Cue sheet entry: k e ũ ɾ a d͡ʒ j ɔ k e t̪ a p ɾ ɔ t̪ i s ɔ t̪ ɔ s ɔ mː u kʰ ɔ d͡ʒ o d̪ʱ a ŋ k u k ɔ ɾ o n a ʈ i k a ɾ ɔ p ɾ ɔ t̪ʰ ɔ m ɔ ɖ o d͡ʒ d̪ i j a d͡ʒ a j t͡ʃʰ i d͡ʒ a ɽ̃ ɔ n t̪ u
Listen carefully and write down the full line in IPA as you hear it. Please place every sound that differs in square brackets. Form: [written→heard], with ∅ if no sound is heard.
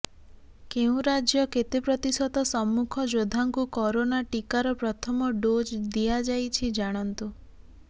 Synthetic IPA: k e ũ ɾ a d͡ʒ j ɔ k e t̪ [a→e] p ɾ ɔ t̪ i s ɔ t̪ ɔ s ɔ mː u kʰ ɔ d͡ʒ o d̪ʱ a ŋ k u k ɔ ɾ o n a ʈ i k a ɾ ɔ p ɾ ɔ t̪ʰ ɔ m ɔ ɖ o d͡ʒ d̪ i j a d͡ʒ a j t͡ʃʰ i d͡ʒ a ɽ̃ ɔ n t̪ u